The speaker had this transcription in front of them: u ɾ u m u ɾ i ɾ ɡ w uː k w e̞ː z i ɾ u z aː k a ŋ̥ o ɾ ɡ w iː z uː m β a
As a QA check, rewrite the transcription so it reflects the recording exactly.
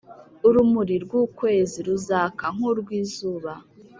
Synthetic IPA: u ɾ u m u ɾ i ɾ ɡ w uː k w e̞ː z i ɾ u z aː k a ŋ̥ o ɾ ɡ w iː z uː β a